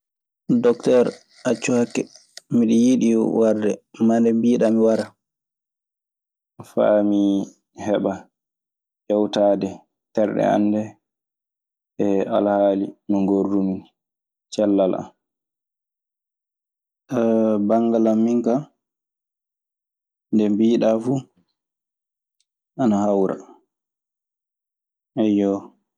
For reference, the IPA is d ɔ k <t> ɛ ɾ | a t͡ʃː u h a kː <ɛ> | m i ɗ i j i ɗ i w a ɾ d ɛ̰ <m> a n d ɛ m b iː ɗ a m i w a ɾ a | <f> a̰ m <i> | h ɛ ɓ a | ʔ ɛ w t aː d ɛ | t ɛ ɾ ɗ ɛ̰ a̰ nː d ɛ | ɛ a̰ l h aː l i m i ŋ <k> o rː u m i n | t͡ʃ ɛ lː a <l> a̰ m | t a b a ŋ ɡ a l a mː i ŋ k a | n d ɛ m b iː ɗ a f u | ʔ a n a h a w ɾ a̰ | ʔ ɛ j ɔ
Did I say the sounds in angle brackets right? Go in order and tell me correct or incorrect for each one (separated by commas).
correct, correct, correct, correct, correct, incorrect, correct